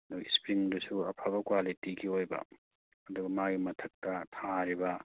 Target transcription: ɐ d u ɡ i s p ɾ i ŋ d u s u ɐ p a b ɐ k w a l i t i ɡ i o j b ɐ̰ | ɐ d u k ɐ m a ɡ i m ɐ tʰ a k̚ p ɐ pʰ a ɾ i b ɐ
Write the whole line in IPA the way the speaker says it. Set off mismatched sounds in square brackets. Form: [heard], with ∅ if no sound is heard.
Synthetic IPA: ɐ d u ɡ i s p ɾ i ŋ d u s u ɐ [pʰ] a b ɐ k w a l i t i ɡ i o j b ɐ̰ | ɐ d u [ɡ] ɐ m a ɡ i m ɐ tʰ [ɐ] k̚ [t] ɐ [tʰ] a ɾ i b ɐ